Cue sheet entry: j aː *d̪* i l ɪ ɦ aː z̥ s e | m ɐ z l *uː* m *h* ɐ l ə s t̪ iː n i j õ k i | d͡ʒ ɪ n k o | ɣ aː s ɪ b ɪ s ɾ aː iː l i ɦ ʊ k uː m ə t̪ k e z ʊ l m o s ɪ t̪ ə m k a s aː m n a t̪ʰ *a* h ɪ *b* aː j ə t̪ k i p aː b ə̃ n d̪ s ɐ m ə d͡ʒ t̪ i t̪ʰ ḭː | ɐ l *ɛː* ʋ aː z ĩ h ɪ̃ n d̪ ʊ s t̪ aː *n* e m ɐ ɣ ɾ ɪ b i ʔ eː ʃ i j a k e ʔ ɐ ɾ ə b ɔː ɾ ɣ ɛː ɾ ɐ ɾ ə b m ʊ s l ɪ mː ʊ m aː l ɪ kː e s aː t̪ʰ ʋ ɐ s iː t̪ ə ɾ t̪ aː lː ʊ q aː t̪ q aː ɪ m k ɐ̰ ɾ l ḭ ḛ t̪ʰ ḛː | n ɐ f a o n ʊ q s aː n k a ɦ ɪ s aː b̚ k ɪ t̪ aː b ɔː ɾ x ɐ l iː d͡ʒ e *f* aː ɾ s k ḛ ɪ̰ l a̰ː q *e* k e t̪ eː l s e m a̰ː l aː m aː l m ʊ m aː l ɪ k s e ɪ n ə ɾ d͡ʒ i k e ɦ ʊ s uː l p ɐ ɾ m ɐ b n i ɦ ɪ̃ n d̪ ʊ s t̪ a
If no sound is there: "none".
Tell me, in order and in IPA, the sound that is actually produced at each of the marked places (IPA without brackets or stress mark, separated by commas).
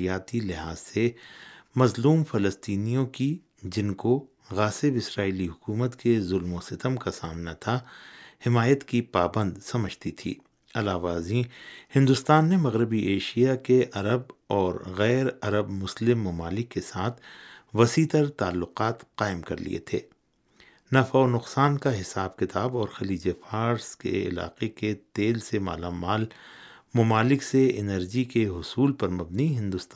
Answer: t̪, uː, f, a, m, aː, nː, f, e